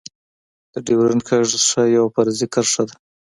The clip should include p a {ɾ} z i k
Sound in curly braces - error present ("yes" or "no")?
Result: no